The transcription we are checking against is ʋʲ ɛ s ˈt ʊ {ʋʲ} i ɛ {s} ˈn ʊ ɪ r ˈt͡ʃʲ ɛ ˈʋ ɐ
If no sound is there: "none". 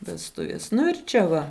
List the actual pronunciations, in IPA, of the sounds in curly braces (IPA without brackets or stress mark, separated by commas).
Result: ʋʲ, s